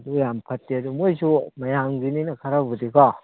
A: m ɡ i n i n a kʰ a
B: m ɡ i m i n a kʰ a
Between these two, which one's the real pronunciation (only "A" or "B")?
A